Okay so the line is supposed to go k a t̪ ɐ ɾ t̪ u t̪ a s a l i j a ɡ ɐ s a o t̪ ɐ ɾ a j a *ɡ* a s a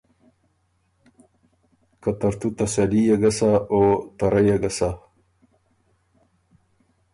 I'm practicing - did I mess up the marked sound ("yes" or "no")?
no